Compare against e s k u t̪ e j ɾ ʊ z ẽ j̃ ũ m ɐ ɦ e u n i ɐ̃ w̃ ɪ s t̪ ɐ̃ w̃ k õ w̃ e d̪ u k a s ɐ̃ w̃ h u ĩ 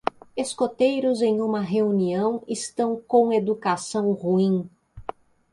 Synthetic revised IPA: e s k o t̪ e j ɾ ʊ z ẽ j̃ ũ m ɐ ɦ e u n i ɐ̃ w̃ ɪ s t̪ ɐ̃ w̃ k õ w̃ e d̪ u k a s ɐ̃ w̃ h u ĩ